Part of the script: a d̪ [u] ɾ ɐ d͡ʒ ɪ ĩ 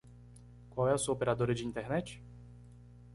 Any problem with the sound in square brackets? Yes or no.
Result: yes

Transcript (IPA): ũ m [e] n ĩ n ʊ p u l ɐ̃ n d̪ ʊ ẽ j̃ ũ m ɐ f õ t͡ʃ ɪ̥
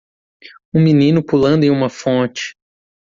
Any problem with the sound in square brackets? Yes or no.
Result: yes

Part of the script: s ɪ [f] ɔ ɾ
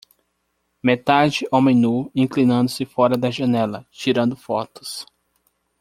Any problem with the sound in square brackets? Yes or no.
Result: no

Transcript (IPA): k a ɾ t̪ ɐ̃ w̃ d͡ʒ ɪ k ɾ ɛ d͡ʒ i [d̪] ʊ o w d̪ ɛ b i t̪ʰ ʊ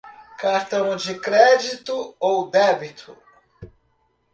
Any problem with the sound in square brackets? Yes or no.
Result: yes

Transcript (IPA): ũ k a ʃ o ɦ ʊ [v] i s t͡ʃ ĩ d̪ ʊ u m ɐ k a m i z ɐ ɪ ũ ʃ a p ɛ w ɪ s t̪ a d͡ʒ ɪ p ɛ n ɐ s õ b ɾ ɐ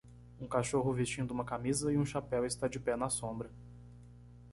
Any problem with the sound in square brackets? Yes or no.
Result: no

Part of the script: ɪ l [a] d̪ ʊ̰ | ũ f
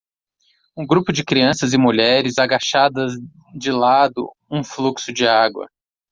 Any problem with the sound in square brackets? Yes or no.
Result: no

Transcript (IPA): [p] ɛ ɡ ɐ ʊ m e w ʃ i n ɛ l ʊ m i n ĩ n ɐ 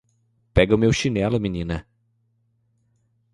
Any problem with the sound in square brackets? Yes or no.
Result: no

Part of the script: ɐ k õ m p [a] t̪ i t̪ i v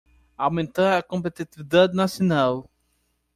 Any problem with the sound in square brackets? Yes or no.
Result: yes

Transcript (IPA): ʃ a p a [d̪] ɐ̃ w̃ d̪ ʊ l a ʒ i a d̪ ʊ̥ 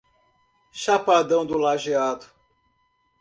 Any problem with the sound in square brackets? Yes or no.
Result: no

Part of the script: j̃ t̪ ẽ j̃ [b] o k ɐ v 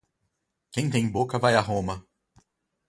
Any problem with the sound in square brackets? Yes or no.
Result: no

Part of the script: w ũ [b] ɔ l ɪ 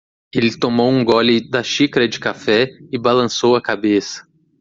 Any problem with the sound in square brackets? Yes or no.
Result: yes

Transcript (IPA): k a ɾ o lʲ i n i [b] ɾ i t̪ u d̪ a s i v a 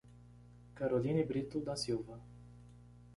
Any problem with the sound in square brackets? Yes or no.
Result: no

